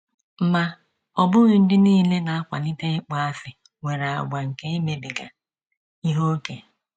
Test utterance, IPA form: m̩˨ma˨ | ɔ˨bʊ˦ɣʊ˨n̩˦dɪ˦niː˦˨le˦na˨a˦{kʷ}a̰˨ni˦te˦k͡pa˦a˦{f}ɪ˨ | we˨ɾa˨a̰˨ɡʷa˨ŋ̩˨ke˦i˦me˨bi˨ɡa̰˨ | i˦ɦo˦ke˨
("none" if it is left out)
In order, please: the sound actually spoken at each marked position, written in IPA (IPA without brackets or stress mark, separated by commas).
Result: kʷ, f